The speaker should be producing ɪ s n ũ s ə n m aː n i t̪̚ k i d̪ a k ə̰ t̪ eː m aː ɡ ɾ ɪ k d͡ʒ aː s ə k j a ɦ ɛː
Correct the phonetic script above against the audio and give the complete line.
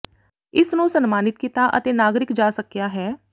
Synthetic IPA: ɪ s n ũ s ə n m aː n ɪ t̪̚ k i t̪ a ʔ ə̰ t̪ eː n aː ɡ ɾ ɪ k d͡ʒ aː s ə k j a ɦ ɛː